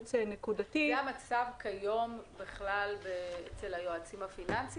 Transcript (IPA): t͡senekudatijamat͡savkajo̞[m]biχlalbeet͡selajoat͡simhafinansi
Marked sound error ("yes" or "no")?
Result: no